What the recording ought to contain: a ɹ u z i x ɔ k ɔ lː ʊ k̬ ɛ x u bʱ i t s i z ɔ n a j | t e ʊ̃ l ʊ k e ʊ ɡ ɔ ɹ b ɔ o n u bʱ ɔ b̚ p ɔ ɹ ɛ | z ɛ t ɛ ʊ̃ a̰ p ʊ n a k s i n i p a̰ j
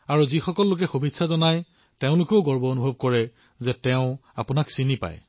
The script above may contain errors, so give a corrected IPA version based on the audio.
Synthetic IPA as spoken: a ɹ u z i x ɔ k ɔ lː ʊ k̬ ɛ x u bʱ i t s a z ɔ n a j | t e ʊ̃ l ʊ k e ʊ ɡ ɔ ɹ b ɔ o n u bʱ ɔ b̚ k ɔ ɹ ɛ | z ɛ t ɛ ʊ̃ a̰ p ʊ n a k s i n i p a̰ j

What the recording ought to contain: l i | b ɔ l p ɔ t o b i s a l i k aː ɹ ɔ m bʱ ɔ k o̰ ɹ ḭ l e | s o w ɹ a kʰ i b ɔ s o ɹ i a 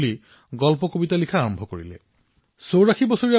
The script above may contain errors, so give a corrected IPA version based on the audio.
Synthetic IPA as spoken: l i | ɡ ɔ l p ɔ k o b i t a l i kʰ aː ɹ ɔ m bʱ ɔ k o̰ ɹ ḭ l e | s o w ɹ a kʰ i b ɔ s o ɹ i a

